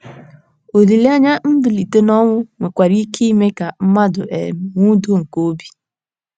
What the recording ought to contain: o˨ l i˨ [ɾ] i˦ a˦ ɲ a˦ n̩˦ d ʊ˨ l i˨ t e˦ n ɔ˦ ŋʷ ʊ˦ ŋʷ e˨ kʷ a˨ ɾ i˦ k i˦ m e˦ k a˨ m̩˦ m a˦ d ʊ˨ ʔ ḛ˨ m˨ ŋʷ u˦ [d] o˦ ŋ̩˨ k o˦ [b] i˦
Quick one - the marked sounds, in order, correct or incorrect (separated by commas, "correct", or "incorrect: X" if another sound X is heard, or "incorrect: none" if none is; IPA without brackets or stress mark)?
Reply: incorrect: l, correct, correct